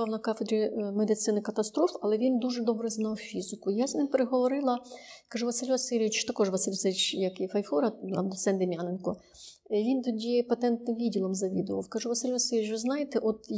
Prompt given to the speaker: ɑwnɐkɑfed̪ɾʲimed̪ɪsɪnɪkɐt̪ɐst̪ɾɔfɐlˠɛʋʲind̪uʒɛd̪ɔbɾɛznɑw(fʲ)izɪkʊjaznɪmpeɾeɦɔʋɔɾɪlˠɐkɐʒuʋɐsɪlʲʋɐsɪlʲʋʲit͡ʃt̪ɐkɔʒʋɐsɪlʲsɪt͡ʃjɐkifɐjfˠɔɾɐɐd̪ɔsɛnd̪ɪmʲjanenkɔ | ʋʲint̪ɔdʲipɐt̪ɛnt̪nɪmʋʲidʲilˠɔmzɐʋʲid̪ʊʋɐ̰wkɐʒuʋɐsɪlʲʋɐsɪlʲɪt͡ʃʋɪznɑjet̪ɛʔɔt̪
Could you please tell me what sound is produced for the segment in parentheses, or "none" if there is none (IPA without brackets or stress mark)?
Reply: fʲ